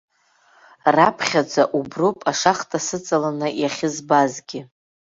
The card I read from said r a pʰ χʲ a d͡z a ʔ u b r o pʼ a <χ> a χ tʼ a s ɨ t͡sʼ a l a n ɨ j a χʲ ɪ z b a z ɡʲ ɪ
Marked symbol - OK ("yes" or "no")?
no